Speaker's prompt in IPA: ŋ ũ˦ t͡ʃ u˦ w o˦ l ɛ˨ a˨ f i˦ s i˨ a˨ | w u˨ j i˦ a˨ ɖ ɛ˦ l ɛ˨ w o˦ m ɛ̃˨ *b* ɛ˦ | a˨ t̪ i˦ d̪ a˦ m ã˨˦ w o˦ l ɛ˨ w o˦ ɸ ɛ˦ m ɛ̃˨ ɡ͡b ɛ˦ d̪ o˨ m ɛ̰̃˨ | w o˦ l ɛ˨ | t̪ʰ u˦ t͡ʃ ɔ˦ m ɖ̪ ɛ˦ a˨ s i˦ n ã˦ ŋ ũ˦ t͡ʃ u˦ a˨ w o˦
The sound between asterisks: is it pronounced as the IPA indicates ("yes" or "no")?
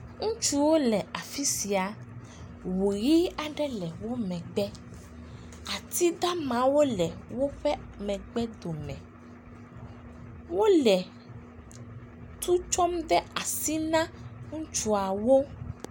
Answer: no